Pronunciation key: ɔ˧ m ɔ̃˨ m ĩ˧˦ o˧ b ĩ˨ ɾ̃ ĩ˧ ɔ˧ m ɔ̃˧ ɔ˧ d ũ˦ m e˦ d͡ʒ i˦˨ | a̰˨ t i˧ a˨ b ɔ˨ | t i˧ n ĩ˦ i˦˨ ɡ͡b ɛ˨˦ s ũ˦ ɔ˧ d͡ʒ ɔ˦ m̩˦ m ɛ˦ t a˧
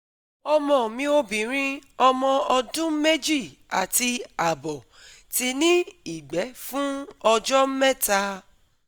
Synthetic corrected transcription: ɔ˧ m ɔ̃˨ m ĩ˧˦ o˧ b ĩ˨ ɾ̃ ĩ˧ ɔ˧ m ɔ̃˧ ɔ˧ d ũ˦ m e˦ d͡ʒ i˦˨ | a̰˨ t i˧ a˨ b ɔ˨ | t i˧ n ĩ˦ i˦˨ ɡ͡b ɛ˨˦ f ũ˦ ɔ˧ d͡ʒ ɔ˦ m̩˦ m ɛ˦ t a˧